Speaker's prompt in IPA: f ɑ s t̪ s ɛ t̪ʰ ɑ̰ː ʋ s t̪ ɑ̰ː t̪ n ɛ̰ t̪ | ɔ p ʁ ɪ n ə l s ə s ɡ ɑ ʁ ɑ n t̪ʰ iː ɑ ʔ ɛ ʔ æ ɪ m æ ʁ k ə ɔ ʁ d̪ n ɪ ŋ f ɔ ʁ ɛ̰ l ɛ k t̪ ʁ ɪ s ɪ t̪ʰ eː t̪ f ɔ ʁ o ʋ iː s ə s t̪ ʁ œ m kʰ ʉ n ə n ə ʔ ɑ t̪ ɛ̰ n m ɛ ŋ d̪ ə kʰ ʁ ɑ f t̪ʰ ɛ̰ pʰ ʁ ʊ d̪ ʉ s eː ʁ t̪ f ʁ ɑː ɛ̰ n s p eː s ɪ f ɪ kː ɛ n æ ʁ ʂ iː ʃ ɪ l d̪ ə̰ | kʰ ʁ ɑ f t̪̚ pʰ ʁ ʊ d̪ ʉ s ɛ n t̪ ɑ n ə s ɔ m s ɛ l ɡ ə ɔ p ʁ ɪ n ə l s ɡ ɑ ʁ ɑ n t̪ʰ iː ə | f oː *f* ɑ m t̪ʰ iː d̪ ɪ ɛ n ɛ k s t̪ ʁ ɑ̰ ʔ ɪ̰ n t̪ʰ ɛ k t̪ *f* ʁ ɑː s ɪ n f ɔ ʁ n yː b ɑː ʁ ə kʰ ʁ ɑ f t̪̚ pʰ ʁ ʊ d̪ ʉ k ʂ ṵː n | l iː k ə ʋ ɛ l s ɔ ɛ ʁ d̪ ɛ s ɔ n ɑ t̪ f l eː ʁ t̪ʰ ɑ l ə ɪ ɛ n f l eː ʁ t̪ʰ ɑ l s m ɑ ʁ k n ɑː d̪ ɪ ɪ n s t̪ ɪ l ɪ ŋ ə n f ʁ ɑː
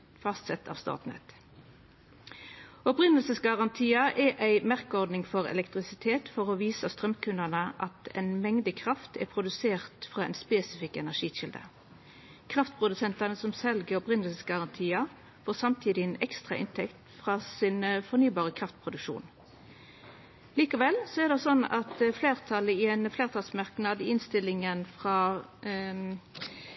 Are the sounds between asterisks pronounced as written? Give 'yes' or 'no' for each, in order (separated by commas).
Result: no, yes